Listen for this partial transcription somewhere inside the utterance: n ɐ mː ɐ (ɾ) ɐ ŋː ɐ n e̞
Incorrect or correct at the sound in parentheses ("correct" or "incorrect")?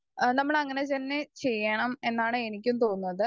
incorrect